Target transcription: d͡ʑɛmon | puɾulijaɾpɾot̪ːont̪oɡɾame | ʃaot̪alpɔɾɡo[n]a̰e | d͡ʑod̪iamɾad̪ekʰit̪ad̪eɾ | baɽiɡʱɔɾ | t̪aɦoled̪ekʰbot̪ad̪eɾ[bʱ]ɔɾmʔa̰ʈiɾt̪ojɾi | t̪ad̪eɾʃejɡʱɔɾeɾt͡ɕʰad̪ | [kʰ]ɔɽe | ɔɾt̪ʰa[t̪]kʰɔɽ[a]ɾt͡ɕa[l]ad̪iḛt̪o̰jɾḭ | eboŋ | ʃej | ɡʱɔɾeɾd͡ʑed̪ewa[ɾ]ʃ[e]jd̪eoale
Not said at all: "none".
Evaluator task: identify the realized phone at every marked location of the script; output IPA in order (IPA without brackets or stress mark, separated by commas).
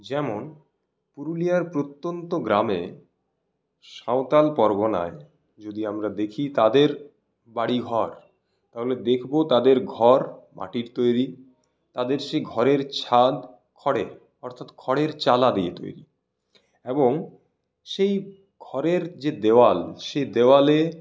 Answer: n, ɡʱ, kʰ, t̪, e, l, l, e